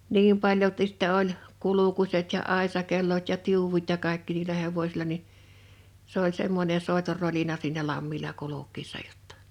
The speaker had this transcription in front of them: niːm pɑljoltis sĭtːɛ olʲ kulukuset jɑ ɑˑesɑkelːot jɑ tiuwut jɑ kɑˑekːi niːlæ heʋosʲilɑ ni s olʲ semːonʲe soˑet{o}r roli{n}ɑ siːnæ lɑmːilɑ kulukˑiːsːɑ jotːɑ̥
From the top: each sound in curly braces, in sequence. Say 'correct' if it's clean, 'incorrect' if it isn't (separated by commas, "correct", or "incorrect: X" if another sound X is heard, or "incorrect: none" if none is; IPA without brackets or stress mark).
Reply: correct, correct